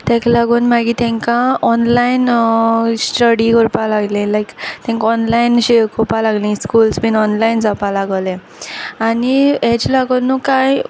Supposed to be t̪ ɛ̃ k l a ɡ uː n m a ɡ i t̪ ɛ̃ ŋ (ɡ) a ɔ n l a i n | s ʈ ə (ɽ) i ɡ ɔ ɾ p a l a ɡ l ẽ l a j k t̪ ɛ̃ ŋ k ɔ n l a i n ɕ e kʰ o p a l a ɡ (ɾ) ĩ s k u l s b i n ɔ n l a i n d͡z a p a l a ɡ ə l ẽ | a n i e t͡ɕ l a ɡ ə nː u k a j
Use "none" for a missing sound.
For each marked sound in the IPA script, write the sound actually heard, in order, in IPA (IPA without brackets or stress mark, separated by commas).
k, ɽ, l